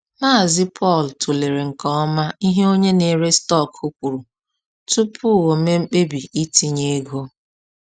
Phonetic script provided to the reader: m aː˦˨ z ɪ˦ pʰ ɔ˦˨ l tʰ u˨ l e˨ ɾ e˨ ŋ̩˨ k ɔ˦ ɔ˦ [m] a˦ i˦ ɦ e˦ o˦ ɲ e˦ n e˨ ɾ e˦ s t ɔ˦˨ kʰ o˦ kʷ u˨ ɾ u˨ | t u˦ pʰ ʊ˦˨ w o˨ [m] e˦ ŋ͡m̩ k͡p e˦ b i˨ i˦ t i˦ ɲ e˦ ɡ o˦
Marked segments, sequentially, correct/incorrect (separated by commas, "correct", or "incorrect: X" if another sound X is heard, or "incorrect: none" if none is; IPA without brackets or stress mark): correct, correct